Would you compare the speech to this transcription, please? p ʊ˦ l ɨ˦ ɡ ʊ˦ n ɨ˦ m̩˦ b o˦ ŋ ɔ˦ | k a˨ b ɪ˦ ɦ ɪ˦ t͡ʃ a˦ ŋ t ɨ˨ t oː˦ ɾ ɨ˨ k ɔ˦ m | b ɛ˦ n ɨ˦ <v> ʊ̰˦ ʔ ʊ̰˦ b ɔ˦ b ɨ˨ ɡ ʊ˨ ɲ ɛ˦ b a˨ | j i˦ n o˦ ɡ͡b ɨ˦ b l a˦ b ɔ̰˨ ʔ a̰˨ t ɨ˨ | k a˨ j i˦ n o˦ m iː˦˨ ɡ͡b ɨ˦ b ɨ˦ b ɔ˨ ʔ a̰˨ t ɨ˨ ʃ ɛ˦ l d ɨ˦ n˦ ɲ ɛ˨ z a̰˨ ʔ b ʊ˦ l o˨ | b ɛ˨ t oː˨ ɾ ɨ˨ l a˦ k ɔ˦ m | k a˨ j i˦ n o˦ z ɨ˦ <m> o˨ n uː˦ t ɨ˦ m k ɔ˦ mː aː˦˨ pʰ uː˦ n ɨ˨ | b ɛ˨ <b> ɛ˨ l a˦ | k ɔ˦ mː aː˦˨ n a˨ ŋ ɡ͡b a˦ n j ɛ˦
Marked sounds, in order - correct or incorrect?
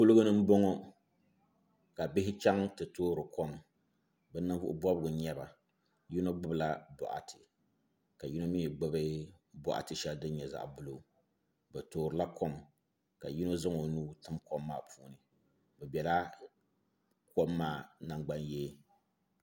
correct, incorrect: ŋ, correct

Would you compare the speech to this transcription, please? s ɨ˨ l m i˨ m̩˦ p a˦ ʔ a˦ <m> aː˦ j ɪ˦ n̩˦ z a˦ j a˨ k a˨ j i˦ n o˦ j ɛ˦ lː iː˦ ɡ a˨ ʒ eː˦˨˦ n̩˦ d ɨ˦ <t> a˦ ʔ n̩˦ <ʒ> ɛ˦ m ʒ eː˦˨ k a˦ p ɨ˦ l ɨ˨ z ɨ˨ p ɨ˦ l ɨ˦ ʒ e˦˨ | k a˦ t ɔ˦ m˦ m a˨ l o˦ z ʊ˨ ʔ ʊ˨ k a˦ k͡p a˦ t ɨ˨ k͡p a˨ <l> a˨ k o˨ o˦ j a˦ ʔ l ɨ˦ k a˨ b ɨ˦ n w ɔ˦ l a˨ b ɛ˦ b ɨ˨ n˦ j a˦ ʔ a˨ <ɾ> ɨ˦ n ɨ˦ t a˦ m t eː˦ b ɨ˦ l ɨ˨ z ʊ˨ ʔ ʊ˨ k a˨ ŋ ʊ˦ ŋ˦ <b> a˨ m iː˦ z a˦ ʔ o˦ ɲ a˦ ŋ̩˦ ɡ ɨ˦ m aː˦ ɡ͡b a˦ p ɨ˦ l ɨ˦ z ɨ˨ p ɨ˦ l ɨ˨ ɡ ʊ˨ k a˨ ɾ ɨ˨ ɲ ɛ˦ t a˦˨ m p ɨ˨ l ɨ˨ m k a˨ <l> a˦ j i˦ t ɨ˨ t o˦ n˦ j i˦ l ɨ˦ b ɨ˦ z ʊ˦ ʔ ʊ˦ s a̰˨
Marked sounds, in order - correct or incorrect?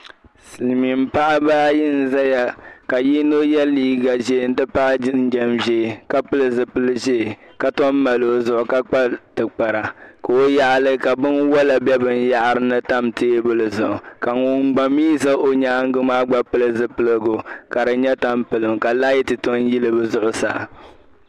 incorrect: b, incorrect: p, incorrect: d͡ʒ, incorrect: ɾ, correct, incorrect: ɡ͡b, correct

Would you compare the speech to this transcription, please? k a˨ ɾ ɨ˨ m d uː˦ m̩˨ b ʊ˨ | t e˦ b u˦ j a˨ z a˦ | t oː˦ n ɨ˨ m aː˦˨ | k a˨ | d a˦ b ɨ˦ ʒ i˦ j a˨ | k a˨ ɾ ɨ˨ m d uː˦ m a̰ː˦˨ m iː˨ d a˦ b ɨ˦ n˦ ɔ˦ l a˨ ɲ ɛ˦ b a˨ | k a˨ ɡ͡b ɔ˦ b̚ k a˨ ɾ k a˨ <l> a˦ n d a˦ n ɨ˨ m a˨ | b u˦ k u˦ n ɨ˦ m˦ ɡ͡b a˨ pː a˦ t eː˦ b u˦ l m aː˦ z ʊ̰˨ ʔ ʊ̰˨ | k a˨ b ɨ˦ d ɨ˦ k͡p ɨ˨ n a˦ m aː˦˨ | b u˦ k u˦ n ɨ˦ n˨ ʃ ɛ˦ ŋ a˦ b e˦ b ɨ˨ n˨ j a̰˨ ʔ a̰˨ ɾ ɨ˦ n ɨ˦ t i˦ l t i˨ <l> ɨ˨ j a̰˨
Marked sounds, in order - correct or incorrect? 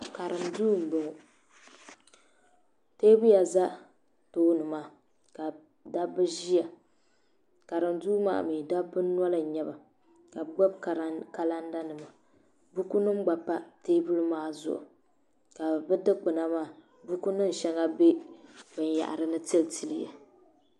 correct, correct

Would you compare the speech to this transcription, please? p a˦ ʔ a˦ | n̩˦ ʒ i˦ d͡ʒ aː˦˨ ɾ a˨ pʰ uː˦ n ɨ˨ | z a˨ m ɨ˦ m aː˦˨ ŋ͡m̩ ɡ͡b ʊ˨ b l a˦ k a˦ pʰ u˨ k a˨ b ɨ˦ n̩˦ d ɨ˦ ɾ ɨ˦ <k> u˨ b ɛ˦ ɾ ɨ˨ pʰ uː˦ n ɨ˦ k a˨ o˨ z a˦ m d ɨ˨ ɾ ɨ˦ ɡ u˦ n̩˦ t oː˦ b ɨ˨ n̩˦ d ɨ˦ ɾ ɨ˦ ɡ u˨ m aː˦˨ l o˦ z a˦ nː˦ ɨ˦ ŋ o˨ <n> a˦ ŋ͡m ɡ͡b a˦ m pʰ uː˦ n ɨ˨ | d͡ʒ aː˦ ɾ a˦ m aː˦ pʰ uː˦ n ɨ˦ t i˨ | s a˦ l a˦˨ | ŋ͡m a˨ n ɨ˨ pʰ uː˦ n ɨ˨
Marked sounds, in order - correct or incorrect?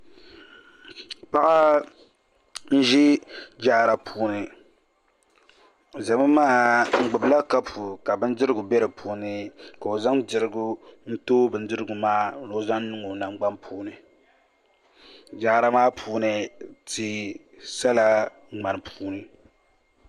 incorrect: ɡ, correct

